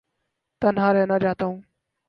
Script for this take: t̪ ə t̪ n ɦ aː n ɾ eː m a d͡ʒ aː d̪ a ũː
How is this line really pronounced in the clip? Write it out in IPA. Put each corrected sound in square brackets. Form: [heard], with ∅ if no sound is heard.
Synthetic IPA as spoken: t̪ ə [∅] n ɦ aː [∅] ɾ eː [n] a d͡ʒ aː [t̪] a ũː